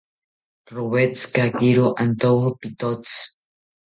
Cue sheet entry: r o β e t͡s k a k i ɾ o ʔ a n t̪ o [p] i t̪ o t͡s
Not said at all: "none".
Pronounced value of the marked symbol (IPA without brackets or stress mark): p